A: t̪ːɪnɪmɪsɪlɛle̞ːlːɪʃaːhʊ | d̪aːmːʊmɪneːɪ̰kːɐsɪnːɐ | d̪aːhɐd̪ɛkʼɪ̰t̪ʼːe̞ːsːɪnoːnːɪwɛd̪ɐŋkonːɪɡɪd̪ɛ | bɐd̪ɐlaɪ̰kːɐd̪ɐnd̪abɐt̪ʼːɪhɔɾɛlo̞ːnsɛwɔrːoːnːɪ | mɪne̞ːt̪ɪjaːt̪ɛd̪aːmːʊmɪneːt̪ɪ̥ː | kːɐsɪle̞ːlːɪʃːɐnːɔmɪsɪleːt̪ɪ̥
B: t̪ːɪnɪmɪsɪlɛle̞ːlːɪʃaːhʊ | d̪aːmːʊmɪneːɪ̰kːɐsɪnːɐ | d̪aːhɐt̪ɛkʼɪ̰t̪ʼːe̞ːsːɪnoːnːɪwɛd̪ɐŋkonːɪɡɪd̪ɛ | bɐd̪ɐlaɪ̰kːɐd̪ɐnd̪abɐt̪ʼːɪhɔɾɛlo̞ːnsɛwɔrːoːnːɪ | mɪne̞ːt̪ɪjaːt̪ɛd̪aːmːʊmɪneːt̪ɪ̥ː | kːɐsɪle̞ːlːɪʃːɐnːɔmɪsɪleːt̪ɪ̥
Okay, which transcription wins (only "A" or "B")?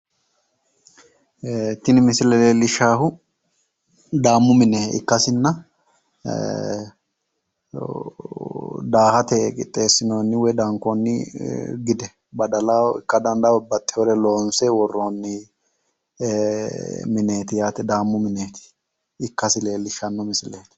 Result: B